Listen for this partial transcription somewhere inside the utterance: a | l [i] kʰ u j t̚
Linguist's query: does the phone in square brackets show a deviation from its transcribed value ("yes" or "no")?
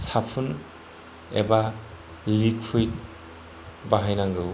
no